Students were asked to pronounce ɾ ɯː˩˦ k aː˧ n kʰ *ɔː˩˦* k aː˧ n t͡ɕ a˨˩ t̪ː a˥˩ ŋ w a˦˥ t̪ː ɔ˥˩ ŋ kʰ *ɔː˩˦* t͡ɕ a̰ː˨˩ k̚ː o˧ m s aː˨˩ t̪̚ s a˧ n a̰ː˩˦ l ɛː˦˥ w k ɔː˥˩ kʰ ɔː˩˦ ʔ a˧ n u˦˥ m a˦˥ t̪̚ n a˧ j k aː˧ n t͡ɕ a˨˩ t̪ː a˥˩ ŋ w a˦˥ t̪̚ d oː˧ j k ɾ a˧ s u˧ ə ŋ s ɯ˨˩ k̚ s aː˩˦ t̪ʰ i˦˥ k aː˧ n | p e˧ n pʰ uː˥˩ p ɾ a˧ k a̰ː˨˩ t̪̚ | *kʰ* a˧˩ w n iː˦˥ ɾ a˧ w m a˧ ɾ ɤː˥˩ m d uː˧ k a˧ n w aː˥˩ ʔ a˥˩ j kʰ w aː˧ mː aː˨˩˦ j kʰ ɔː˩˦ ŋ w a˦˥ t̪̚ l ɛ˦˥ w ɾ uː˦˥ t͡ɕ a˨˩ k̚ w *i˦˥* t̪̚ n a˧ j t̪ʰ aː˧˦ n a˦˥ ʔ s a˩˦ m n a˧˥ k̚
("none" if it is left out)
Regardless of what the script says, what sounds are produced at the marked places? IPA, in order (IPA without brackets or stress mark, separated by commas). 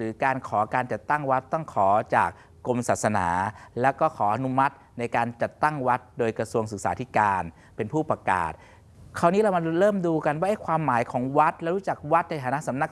ɔː˩˦, ɔː˩˦, kʰ, a˦˥